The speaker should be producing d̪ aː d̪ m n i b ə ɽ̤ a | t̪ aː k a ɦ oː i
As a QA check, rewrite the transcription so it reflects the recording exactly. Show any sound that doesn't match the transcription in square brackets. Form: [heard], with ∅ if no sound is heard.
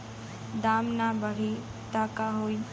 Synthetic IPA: d̪ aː [∅] m n [a] b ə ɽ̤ [i] | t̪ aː k a ɦ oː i